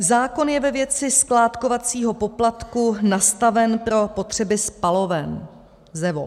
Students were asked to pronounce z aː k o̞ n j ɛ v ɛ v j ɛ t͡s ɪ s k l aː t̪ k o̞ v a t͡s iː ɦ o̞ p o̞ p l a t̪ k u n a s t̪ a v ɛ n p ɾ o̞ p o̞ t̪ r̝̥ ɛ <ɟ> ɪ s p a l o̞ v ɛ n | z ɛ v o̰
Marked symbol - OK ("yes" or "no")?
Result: no